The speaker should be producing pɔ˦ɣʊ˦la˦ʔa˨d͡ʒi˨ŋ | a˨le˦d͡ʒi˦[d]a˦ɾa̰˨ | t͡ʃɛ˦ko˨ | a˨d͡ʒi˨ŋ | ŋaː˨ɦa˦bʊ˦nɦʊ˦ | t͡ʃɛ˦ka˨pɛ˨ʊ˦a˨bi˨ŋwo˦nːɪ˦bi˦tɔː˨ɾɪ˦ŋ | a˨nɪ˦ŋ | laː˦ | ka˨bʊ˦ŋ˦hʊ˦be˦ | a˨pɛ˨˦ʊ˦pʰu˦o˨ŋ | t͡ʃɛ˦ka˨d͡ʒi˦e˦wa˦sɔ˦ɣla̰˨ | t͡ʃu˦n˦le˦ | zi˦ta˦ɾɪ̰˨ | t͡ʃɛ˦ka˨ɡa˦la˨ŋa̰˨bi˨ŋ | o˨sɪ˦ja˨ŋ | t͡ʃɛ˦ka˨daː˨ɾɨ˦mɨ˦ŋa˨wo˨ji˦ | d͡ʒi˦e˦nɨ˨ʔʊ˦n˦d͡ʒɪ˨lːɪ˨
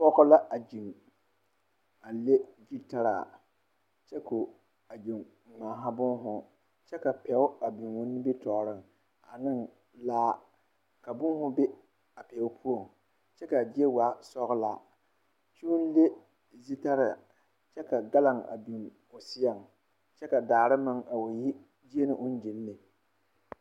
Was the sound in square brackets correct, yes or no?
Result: no